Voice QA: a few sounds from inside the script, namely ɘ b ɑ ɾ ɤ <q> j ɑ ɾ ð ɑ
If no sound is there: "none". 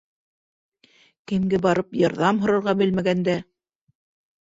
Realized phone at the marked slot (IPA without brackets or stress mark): p